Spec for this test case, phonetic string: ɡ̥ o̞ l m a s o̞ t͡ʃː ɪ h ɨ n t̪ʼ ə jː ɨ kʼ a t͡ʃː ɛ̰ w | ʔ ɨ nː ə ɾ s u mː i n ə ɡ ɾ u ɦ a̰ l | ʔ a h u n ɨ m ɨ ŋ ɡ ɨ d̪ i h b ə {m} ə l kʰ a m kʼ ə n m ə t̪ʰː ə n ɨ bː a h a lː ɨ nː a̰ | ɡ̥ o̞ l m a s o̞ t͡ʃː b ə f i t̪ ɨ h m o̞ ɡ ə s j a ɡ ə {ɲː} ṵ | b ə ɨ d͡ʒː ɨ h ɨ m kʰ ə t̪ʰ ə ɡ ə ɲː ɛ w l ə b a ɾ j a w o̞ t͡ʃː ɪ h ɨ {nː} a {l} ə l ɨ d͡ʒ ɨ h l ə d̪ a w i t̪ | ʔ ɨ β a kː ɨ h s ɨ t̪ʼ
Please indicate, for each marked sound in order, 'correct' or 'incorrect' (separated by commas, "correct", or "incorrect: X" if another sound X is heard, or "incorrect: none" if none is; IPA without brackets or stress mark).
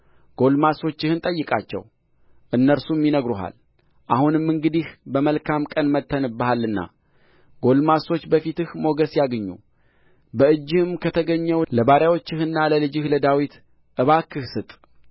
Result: correct, correct, correct, correct